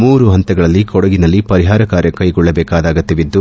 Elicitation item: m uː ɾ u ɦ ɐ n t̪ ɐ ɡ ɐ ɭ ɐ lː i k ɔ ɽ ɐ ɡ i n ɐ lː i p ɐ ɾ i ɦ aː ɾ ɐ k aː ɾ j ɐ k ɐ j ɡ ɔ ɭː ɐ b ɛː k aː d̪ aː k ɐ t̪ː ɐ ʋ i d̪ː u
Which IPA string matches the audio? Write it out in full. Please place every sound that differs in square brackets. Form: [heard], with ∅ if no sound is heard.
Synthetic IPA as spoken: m uː ɾ u ɦ ɐ n t̪ ɐ ɡ ɐ ɭ ɐ lː i k ɔ ɽ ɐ ɡ i n ɐ lː i p ɐ ɾ i ɦ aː ɾ ɐ k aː ɾ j ɐ k ɐ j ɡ ɔ ɭː ɐ b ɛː k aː d̪ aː [ɡ] ɐ t̪ː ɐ ʋ i d̪ː u